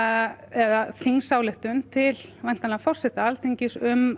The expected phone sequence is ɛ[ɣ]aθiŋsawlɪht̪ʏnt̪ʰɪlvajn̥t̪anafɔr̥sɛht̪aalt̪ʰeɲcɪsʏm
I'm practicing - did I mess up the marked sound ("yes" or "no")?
yes